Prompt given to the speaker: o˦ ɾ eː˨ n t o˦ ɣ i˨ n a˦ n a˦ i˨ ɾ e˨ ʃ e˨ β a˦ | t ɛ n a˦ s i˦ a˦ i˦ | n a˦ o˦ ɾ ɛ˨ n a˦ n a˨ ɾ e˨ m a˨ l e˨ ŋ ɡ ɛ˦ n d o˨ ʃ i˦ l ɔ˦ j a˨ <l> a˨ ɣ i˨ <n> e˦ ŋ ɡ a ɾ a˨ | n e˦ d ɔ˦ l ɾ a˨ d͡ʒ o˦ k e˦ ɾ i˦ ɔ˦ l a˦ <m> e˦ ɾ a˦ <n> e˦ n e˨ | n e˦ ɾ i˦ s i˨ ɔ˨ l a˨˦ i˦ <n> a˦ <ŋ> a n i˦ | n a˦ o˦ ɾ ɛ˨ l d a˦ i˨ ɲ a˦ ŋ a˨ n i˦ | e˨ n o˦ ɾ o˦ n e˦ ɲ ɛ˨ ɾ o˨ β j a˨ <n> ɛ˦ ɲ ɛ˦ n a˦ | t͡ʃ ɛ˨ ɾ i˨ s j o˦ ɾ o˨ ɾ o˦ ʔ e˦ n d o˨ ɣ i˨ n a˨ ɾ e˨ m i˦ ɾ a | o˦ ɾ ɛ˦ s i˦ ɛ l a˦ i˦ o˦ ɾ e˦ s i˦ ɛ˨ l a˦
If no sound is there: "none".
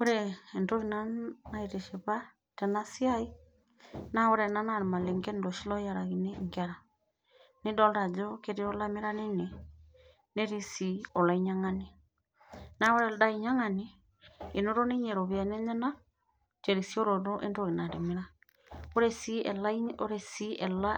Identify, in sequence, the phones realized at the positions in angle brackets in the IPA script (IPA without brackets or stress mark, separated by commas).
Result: ɾ, n, m, n, ɲ, ŋ, n